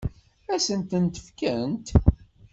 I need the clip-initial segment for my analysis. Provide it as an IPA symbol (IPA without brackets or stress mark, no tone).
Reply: æ